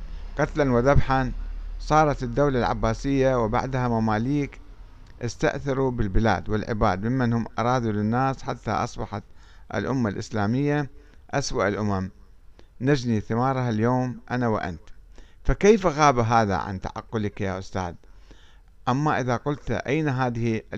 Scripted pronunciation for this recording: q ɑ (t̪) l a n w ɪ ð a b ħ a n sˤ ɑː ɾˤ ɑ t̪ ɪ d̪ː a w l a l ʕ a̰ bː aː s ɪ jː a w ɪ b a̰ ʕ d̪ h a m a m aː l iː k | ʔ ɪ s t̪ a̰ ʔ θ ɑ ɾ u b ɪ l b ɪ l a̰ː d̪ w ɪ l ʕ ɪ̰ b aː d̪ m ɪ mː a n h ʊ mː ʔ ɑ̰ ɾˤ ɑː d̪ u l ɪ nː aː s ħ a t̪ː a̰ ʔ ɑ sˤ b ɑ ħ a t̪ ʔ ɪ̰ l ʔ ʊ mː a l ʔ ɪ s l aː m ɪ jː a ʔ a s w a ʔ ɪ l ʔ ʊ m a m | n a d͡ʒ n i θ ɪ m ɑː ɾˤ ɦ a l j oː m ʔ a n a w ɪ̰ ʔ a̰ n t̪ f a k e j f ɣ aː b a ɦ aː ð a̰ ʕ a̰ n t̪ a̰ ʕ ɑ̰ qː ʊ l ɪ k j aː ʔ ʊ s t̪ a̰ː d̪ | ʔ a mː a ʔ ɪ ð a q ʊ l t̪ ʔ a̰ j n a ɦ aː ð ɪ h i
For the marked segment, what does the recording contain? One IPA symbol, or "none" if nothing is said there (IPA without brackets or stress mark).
t̪